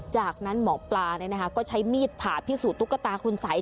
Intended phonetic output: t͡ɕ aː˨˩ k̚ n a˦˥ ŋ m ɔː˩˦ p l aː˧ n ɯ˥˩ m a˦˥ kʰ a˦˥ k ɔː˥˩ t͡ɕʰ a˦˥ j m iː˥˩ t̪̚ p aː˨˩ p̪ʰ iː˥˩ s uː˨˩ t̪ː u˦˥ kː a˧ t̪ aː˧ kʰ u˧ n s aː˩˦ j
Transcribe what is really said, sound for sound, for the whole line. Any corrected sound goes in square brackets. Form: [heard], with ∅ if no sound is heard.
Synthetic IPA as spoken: t͡ɕ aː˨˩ k̚ n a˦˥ [n] m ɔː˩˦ p l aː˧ n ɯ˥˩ [n] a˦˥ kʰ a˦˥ k ɔː˥˩ t͡ɕʰ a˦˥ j m iː˥˩ t̪̚ [pʰ] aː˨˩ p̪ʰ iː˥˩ s uː˨˩ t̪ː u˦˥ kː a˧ t̪ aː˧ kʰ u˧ n s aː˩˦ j